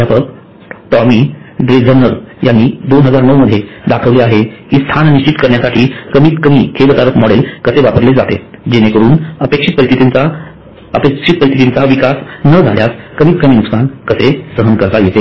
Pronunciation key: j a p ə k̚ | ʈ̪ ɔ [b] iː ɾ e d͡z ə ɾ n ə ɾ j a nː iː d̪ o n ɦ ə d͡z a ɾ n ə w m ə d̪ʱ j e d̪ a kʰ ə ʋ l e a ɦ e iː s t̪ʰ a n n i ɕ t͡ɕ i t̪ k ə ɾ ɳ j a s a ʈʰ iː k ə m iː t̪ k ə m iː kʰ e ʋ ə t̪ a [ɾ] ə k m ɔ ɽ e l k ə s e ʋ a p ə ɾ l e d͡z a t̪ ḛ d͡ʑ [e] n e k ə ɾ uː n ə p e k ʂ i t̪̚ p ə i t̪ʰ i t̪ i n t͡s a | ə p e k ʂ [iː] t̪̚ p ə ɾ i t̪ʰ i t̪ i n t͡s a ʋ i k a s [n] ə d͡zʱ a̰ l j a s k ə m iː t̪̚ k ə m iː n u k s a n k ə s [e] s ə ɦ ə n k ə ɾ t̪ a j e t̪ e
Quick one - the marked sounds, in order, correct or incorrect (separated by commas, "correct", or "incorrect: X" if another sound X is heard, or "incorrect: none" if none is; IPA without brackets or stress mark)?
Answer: incorrect: m, correct, correct, incorrect: i, correct, correct